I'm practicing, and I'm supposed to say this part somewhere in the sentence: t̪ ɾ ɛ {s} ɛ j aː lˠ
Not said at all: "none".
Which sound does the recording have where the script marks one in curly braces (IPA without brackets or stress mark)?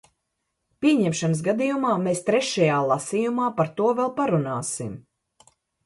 ʃ